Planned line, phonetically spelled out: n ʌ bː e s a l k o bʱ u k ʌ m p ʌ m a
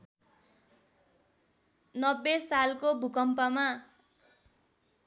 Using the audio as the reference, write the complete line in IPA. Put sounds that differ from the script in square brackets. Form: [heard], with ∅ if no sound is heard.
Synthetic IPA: n ʌ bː e s a l k o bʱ u k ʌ m p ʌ m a